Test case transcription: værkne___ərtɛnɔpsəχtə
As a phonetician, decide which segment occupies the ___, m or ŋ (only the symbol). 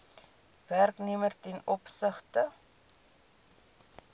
m